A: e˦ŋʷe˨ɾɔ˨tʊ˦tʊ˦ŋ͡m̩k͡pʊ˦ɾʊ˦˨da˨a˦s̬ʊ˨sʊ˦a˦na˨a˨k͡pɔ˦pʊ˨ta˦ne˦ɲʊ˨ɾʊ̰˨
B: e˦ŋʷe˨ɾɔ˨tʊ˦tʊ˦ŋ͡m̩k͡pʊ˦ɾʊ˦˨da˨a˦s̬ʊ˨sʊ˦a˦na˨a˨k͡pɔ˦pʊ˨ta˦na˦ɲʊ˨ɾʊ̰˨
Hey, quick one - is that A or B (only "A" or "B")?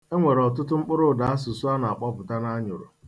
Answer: B